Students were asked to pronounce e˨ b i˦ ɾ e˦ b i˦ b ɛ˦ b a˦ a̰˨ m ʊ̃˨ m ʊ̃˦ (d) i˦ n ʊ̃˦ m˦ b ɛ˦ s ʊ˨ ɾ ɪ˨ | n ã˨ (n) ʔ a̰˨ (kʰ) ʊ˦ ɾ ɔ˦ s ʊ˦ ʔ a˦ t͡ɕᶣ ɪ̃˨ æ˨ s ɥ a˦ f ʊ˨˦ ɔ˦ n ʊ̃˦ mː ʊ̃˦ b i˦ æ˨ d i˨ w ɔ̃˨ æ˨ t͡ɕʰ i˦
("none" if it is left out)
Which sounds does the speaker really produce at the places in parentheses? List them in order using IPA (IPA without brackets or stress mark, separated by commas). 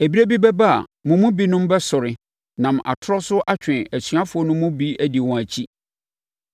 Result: b, m, tʰ